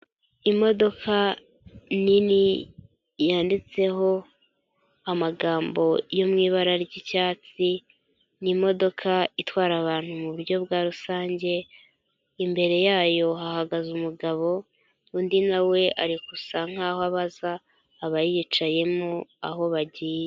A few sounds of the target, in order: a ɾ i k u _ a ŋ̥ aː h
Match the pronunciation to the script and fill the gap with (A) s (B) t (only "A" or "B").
A